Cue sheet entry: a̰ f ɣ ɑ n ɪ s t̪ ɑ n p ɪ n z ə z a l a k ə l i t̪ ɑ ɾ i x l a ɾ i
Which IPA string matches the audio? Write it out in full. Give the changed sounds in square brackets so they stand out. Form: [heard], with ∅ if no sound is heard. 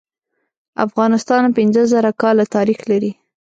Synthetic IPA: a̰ f ɣ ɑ n ɪ s t̪ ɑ n p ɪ n z ə z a [ɾ] a k [ɑ] l [a] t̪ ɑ ɾ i x l a ɾ i